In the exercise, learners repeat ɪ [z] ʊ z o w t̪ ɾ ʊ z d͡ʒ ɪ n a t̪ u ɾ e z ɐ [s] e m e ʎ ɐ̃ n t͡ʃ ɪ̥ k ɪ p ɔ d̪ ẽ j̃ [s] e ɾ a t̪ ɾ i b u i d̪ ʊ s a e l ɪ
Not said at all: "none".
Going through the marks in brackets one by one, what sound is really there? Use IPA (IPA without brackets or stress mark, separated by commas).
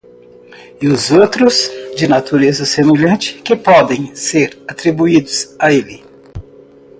none, s, s